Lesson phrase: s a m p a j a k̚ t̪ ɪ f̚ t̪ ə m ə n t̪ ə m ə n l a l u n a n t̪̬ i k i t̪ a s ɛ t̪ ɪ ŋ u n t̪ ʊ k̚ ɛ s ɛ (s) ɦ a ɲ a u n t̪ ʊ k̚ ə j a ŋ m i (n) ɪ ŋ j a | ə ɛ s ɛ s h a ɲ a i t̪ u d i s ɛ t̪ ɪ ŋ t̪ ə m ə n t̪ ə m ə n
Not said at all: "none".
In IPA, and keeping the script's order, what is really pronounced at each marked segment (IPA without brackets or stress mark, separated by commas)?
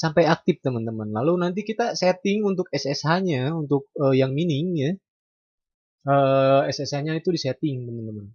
s, n